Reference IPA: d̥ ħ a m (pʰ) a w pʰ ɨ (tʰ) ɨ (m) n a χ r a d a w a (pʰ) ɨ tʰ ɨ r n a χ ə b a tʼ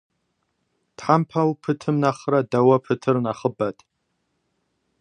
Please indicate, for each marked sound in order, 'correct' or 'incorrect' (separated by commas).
correct, correct, correct, correct